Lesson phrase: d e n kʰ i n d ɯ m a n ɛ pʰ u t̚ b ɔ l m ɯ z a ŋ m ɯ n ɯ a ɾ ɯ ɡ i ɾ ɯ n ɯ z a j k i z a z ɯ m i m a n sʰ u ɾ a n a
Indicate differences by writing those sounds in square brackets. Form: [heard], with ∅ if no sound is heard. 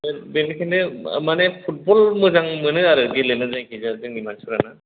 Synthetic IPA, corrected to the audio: [b] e n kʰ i n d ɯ m a n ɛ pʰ u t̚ b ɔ l m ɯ z a ŋ m ɯ n ɯ a ɾ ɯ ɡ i [l] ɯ n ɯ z a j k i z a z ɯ [ŋ] i m a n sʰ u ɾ a n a

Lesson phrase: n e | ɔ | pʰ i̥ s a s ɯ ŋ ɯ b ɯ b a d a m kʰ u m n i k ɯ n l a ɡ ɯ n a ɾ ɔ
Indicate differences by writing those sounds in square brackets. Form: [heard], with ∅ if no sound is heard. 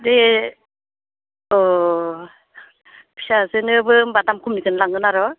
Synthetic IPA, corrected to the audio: [d] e | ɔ | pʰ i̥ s a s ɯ [n] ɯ b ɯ b a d a m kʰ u m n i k ɯ n l a [ŋ] ɯ n a ɾ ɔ

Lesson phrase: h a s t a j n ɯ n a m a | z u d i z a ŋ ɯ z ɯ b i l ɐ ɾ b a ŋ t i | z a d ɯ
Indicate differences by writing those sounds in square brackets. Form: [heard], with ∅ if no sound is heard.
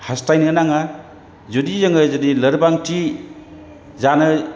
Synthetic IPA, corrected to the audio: h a s t a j n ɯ n a [ŋ] a | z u d i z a ŋ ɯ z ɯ [d] i l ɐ ɾ b a ŋ t i | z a [n] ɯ

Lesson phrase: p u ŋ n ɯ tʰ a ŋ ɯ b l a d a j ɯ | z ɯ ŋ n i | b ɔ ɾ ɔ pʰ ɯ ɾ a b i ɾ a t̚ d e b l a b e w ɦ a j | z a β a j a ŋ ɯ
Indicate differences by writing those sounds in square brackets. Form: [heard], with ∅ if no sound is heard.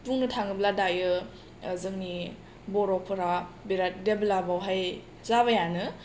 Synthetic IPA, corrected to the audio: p u ŋ n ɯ tʰ a ŋ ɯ b l a d a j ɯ | z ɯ ŋ n i | b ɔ ɾ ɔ pʰ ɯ ɾ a b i ɾ a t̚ d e b l a b [a] w ɦ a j | z a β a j a [n] ɯ

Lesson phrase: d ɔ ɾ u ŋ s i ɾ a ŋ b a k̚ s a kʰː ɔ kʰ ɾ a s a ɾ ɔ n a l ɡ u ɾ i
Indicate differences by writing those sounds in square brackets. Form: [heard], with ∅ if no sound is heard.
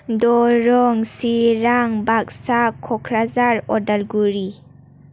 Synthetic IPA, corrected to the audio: d ɔ ɾ [ɔ] ŋ s i ɾ a ŋ b a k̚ s a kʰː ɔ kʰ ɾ a [z] a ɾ ɔ [d] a l ɡ u ɾ i

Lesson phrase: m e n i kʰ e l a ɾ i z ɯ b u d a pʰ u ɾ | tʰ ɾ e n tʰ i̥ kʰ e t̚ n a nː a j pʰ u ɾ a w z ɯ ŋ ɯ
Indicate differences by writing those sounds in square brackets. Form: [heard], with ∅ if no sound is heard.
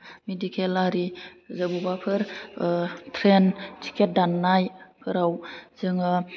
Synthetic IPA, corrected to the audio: m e [d] i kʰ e l a ɾ i z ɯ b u [b] a pʰ [ɯ] ɾ | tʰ ɾ e n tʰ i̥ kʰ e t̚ [d] a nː a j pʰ [ɯ] ɾ a w z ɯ ŋ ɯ

